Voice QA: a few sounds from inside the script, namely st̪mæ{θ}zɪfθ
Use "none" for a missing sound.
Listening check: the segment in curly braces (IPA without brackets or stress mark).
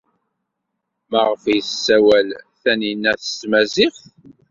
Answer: none